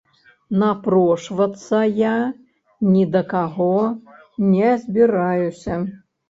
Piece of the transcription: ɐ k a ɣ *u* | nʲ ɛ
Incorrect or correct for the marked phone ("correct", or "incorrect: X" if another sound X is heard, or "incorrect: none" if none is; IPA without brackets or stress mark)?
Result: incorrect: ɔ